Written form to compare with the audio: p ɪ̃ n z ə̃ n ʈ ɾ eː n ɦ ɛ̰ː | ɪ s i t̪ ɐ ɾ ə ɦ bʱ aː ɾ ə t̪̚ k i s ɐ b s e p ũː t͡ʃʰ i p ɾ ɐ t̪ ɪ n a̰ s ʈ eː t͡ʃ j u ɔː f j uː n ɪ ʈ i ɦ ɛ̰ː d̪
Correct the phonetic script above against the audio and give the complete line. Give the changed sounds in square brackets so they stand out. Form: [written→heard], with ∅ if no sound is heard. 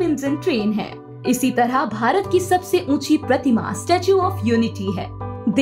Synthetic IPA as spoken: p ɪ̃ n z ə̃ n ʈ ɾ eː n ɦ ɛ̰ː | ɪ s i t̪ ɐ ɾ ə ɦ bʱ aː ɾ ə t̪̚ k i s ɐ b s e [p→ʔ] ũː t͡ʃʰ i p ɾ ɐ t̪ ɪ [n→m] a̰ s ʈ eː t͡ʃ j u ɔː f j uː n ɪ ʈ i ɦ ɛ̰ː d̪